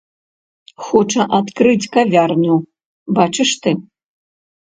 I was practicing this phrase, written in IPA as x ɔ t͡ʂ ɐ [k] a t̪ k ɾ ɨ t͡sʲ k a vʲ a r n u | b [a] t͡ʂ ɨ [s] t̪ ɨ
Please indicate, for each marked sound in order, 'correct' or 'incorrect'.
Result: incorrect: ʔ, correct, incorrect: ʂ

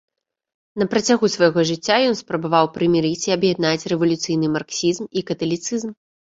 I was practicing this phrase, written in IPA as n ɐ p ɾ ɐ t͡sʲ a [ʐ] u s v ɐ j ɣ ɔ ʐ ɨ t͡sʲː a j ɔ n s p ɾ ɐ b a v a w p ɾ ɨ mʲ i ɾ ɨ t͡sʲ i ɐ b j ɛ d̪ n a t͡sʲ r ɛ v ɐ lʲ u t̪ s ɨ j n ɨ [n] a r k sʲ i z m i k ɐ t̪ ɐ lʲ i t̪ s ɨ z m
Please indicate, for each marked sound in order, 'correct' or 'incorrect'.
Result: incorrect: ɣ, incorrect: m

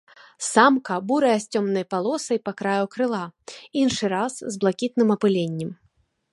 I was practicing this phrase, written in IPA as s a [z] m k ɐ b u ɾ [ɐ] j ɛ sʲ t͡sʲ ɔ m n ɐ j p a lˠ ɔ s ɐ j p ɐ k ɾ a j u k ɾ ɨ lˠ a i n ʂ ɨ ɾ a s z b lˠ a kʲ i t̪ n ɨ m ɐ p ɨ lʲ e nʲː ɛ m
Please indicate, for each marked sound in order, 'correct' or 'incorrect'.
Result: incorrect: none, correct

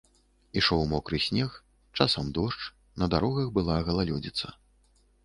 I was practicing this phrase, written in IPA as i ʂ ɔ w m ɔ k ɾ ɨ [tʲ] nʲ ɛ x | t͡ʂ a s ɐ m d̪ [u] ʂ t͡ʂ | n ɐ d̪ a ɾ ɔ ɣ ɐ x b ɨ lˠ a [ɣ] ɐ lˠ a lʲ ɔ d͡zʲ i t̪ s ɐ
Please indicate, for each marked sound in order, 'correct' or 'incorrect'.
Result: incorrect: sʲ, incorrect: ɔ, correct

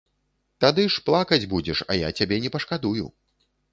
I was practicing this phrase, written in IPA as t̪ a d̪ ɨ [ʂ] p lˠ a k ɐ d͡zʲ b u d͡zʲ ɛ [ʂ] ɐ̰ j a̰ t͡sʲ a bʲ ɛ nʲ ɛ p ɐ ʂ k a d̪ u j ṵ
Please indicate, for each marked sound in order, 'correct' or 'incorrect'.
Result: correct, correct

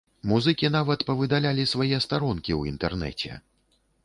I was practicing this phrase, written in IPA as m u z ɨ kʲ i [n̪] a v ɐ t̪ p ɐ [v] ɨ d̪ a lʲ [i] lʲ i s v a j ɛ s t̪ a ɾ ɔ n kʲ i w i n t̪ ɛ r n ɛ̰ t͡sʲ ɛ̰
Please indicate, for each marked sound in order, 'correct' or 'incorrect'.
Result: correct, correct, incorrect: a

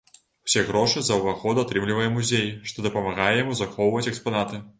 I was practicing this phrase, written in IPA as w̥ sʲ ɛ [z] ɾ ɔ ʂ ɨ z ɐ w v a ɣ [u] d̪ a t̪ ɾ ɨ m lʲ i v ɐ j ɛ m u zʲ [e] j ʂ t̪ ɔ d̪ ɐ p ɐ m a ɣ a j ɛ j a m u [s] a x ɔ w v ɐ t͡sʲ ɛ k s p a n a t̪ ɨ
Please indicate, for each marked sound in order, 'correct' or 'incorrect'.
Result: incorrect: ɣ, incorrect: ɔ, correct, incorrect: z

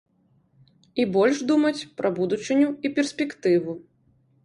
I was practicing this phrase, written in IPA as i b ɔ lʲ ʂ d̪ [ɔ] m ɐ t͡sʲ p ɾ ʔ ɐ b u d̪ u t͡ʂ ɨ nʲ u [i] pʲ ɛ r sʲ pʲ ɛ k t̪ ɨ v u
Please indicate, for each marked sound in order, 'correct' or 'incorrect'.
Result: incorrect: u, correct

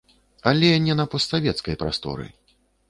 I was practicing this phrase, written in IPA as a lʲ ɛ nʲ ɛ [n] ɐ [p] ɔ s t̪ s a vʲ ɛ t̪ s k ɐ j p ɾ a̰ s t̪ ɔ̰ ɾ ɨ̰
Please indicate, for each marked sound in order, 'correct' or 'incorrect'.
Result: correct, correct

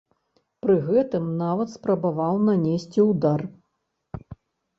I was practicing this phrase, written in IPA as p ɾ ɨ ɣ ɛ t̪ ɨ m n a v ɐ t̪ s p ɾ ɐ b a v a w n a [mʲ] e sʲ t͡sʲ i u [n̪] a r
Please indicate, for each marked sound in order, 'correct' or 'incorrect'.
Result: incorrect: nʲ, incorrect: d̪

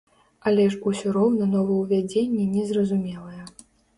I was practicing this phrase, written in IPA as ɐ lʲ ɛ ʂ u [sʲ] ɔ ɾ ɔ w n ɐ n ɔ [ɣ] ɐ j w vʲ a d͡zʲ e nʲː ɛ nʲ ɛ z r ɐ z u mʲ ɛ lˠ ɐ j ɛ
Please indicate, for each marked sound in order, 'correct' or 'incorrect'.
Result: correct, incorrect: v

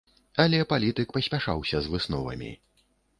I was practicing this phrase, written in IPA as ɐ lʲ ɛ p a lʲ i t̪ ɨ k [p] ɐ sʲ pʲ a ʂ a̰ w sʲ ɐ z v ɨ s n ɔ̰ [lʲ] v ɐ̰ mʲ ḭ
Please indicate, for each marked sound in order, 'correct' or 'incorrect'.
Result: correct, incorrect: none

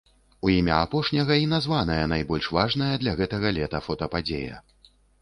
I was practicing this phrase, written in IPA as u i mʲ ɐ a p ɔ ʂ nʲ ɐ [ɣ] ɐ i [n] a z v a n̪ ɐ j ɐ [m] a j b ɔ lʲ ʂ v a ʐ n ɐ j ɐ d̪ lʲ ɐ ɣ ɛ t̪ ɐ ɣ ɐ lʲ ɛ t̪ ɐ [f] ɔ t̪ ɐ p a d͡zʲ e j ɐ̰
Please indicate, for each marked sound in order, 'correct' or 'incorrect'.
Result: correct, correct, incorrect: n, correct

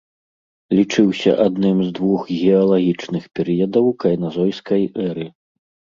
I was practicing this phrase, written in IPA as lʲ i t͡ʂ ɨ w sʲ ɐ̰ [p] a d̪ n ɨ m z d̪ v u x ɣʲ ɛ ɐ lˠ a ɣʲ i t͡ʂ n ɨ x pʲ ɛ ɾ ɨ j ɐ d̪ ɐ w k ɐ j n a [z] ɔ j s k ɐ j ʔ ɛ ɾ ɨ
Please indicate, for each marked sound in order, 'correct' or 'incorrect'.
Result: incorrect: ʔ, correct

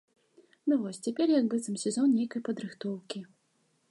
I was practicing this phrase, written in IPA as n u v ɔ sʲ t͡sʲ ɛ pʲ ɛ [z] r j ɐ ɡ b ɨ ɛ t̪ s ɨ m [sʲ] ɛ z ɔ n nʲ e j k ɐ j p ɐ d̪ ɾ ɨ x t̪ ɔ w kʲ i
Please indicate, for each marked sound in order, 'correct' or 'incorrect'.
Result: incorrect: none, correct

